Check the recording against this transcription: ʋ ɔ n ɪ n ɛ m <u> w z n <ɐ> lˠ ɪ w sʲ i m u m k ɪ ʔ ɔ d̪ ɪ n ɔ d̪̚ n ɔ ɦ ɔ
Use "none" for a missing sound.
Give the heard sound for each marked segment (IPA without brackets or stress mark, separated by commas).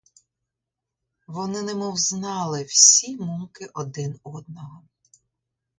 ɔ, ɑ